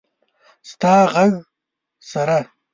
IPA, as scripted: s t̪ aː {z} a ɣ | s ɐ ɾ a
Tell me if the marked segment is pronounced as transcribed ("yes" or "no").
no